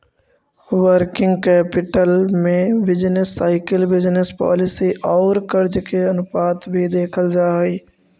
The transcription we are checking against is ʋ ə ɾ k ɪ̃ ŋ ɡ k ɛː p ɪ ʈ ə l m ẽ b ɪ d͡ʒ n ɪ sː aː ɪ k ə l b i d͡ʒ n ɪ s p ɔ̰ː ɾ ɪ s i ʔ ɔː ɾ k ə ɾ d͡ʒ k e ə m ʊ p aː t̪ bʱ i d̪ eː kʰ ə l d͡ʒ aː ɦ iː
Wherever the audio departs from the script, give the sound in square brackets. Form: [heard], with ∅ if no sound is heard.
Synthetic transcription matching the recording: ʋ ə ɾ k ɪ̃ ŋ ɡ k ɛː p ɪ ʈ ə l m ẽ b ɪ d͡ʒ n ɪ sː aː ɪ k ə l b [ɪ] d͡ʒ n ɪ s p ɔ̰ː [l] ɪ s i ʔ ɔː ɾ k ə ɾ d͡ʒ k e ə [n] ʊ p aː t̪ bʱ i d̪ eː kʰ ə l d͡ʒ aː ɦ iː